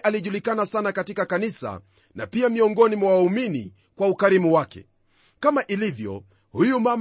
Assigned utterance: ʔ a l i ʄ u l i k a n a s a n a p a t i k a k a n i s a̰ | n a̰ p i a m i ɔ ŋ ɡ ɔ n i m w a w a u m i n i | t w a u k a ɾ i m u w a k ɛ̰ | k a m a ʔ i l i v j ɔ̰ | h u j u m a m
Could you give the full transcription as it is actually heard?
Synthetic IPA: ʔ a l i ʄ u l i k a n a s a n a k a t i k a k a n i s a̰ | n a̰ p i a m i ɔ ŋ ɡ ɔ n i m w a w a u m i n i | k w a u k a ɾ i m u w a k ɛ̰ | k a m a ʔ i l i v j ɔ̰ | h u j u m a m